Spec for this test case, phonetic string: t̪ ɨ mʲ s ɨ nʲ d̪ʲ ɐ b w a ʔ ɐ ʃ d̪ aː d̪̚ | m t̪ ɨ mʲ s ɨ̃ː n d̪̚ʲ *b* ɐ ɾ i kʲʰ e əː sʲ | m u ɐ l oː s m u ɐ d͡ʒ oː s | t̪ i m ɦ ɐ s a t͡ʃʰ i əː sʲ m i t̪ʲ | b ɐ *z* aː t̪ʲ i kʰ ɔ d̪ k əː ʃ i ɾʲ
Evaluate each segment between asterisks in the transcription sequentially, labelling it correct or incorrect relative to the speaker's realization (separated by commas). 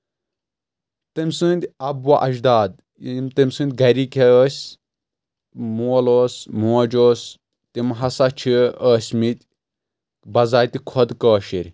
incorrect, correct